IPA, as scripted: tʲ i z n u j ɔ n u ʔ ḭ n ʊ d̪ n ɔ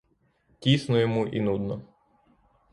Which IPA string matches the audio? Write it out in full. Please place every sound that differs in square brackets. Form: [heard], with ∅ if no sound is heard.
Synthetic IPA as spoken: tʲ i [s] n [ɔ] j ɔ [m] u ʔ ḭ n [u] d̪ n ɔ